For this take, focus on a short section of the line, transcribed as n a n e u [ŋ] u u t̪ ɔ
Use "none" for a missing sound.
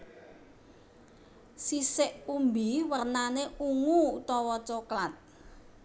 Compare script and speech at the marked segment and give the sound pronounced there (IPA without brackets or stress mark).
ŋ